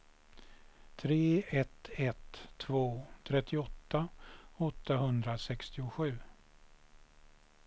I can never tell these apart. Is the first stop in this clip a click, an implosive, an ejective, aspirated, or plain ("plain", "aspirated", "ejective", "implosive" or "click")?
aspirated